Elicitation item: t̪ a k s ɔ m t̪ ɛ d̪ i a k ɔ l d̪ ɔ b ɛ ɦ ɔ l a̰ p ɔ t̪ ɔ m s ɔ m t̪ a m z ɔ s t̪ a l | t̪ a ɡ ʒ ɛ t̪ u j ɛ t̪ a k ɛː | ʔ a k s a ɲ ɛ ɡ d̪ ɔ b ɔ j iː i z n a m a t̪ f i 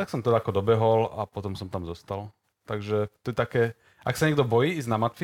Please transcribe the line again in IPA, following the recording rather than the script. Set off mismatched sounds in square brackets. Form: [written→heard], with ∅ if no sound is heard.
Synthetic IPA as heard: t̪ a k s ɔ m t̪ ɛ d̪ [i→a] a k ɔ [l→∅] d̪ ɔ b ɛ ɦ ɔ l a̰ p ɔ t̪ ɔ m s ɔ m t̪ a m z ɔ s t̪ a l | t̪ a ɡ ʒ ɛ t̪ [u→ɔ] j ɛ t̪ a k ɛː | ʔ a k s a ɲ ɛ ɡ d̪ ɔ b ɔ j iː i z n a m a t̪ f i